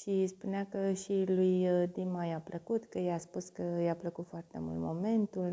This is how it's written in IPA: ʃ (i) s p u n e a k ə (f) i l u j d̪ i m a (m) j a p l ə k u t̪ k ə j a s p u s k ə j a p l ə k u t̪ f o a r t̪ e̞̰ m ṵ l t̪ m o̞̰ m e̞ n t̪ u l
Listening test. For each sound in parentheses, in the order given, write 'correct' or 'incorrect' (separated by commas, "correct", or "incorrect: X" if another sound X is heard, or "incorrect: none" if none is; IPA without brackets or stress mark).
correct, incorrect: ʃ, incorrect: none